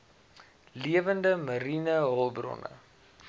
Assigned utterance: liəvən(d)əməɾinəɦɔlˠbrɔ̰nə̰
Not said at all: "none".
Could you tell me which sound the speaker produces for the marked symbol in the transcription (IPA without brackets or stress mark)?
d